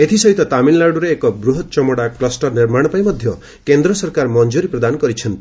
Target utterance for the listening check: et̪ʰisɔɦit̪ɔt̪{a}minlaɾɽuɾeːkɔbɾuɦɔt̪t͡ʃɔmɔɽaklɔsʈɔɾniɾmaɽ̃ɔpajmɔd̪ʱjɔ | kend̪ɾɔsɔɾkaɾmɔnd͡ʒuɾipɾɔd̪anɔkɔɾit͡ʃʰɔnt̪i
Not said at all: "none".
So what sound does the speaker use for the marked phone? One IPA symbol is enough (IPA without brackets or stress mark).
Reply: a